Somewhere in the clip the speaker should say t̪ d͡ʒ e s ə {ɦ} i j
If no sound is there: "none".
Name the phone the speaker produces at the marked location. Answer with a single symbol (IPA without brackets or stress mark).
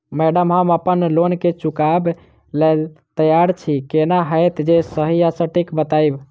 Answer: ɦ